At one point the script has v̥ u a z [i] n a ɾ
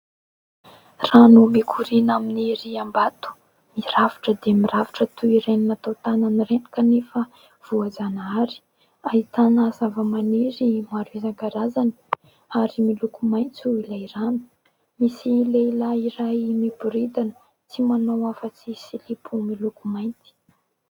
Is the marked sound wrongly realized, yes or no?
yes